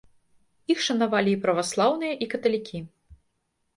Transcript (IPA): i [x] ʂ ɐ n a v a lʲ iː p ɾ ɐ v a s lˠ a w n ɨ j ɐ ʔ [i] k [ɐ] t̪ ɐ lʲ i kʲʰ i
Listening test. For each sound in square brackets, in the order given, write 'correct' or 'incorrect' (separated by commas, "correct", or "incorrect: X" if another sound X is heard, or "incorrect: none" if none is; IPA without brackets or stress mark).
correct, correct, correct